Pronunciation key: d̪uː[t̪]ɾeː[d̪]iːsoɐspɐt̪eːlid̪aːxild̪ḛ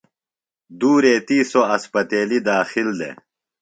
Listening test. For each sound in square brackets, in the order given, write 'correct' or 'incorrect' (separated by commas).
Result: incorrect, incorrect